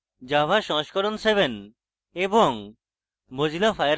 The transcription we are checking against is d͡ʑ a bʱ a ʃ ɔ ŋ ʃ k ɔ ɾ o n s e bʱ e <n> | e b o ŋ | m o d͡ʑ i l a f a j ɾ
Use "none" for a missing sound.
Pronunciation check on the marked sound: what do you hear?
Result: n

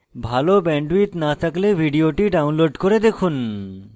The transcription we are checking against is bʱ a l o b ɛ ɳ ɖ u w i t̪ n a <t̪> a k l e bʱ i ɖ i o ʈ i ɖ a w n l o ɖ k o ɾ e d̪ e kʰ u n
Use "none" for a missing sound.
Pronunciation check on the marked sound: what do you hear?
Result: t̪ʰ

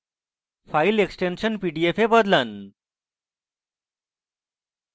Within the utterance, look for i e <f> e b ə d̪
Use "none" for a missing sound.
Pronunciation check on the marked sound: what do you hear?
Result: f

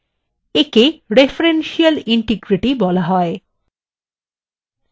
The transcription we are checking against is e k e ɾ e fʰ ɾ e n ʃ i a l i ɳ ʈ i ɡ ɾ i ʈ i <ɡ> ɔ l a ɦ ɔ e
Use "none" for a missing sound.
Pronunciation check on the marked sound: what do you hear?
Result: b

